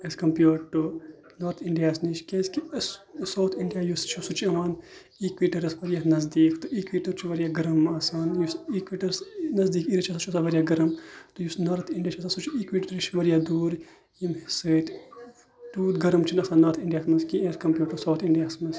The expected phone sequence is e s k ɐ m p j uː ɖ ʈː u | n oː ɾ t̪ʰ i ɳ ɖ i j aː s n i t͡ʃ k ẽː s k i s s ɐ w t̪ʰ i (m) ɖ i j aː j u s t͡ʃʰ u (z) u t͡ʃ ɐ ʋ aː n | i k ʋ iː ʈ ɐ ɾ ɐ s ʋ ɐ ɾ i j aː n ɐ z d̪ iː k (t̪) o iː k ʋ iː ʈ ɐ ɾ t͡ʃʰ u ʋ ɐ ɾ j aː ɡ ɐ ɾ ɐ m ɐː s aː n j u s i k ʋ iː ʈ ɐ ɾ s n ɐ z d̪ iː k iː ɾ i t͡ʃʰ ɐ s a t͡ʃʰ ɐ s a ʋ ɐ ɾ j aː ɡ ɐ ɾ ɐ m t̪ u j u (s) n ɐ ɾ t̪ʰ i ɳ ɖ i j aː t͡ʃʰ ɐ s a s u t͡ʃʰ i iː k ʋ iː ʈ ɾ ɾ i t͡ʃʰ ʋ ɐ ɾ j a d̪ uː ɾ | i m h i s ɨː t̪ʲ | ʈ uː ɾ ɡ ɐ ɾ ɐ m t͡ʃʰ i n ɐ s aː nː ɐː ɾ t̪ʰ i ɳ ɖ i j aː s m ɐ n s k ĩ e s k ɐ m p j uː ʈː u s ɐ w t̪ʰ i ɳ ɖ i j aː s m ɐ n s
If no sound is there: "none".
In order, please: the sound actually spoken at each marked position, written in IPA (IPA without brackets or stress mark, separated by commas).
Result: ɳ, s, t̪, s